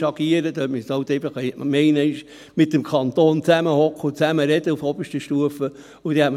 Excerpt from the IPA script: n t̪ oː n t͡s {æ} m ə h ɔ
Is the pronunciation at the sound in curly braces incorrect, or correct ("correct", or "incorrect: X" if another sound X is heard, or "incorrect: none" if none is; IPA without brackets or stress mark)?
correct